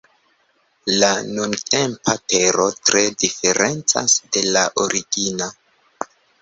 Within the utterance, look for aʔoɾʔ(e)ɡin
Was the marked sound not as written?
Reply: yes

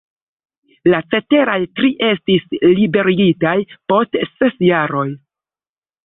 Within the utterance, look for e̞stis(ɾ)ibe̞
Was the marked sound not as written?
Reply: yes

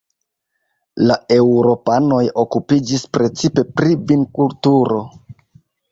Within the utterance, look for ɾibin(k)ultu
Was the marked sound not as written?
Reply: no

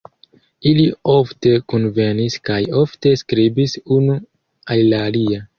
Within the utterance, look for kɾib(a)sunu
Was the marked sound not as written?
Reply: yes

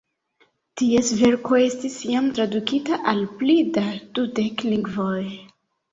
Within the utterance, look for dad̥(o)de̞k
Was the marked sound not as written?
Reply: yes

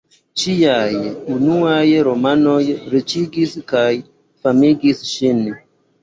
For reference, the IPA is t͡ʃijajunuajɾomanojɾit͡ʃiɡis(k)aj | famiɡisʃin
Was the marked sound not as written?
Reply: no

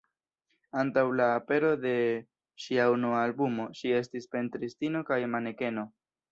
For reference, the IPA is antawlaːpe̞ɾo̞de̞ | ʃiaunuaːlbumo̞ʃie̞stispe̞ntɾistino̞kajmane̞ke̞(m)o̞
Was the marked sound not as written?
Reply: yes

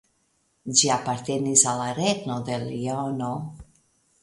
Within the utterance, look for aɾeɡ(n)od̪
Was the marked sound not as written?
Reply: no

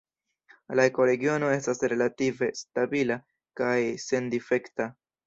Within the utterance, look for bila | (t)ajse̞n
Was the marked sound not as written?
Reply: yes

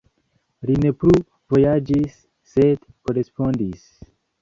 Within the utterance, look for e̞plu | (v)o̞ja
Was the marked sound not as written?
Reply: no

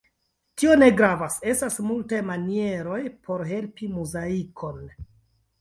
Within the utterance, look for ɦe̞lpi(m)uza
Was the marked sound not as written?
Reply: no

